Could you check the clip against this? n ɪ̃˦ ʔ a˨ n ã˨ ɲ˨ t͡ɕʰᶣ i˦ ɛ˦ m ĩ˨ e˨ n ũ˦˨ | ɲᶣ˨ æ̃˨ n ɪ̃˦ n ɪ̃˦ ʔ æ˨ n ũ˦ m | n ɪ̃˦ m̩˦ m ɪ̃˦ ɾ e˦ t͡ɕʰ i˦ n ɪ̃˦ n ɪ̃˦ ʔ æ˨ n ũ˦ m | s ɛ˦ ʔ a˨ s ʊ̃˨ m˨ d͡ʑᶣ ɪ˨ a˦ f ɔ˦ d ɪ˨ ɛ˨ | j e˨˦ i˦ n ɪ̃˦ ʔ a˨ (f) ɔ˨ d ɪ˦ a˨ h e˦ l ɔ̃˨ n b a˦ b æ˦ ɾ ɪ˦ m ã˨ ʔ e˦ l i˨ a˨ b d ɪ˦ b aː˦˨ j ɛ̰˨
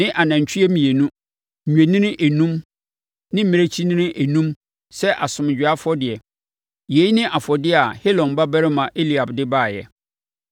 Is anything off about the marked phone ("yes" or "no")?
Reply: no